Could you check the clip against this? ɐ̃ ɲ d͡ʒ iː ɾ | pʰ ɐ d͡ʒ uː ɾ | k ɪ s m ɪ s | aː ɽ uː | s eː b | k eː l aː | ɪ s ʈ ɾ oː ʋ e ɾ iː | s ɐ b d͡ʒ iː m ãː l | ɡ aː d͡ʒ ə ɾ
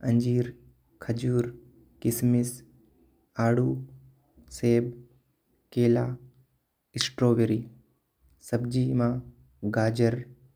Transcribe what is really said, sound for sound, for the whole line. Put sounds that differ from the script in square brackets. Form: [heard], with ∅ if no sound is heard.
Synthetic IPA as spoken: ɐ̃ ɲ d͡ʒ iː ɾ | [kʰ] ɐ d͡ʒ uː ɾ | k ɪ s m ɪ s | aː ɽ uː | s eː b | k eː l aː | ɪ s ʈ ɾ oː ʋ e ɾ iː | s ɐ b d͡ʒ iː m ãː [∅] | ɡ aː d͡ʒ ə ɾ